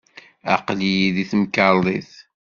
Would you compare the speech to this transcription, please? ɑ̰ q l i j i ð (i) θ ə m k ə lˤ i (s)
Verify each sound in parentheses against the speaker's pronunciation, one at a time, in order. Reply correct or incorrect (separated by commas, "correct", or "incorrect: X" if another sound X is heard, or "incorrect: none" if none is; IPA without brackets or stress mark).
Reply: correct, incorrect: θ